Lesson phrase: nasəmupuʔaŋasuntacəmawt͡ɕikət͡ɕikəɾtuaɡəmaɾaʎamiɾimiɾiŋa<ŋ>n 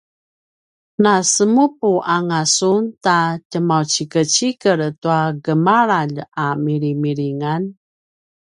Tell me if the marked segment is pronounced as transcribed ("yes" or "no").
no